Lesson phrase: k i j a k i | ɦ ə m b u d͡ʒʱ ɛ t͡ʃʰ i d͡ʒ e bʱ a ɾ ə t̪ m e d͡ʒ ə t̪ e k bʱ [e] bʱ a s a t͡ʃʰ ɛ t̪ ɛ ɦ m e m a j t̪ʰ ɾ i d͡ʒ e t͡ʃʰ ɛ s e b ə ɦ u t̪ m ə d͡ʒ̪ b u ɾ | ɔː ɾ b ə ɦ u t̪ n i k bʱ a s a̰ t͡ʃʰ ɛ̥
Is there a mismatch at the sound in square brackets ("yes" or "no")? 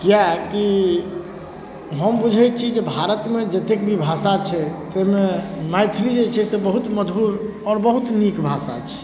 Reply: yes